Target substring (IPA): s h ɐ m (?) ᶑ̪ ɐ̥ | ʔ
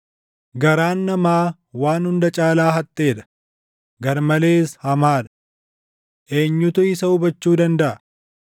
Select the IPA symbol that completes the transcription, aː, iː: aː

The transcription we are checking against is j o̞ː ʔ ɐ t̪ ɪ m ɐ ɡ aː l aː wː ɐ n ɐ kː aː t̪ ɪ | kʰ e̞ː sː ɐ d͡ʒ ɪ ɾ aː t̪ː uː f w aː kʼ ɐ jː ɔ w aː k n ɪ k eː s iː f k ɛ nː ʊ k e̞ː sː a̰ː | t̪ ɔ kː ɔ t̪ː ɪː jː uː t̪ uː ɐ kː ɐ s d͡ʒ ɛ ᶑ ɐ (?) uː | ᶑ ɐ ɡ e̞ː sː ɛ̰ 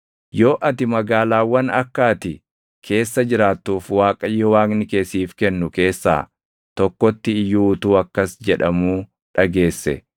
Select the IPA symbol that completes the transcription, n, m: m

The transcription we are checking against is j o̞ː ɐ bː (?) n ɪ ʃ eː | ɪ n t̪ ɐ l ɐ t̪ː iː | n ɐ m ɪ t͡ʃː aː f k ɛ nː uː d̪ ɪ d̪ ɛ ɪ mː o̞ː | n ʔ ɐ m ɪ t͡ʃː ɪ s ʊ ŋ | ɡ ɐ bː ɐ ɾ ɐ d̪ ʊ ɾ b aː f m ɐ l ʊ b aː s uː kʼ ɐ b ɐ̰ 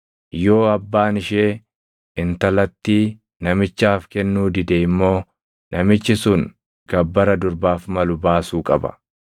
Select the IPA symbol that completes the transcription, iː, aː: aː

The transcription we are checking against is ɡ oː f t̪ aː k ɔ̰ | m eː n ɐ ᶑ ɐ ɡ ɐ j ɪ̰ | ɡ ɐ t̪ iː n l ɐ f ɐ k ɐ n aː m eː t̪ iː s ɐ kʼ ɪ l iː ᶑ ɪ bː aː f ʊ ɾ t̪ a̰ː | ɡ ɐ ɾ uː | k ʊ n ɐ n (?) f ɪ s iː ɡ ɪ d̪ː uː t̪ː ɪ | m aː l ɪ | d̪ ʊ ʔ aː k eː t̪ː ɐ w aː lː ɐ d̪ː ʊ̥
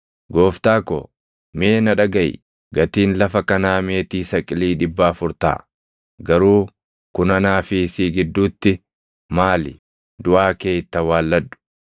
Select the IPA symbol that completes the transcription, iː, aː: aː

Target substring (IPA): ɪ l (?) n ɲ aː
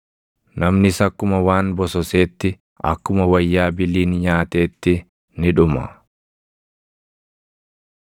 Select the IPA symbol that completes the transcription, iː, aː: iː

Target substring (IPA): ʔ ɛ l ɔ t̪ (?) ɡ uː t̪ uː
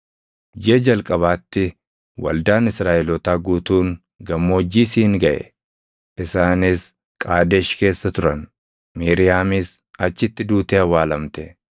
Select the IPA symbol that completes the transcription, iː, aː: aː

